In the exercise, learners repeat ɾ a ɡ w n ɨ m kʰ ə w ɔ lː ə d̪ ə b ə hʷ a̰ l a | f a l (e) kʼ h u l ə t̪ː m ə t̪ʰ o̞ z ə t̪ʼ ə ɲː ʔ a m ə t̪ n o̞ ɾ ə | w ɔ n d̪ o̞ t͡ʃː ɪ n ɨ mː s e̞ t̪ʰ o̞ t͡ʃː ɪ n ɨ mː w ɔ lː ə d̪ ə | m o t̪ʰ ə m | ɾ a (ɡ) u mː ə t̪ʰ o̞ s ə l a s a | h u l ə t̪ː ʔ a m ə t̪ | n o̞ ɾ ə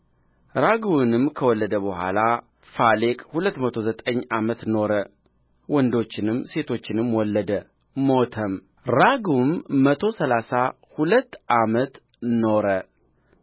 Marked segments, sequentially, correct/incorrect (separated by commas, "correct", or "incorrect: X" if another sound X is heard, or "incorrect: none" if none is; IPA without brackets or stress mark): correct, correct